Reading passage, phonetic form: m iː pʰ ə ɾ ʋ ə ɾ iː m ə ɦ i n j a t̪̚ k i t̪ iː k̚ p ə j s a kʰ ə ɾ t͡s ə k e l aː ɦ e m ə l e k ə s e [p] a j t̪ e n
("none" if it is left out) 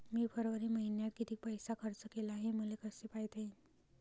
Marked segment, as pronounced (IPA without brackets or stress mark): p